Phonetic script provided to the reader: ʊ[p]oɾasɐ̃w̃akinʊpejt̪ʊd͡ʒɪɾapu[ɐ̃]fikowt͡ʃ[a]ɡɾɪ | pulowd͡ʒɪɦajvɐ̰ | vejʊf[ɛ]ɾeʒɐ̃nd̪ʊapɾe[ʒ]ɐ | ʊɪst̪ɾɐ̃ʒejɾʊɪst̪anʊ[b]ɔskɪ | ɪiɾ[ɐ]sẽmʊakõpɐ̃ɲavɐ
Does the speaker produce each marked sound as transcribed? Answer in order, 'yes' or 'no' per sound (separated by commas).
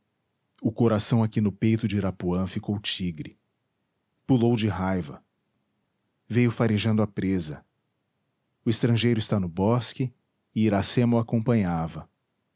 no, yes, no, no, no, yes, no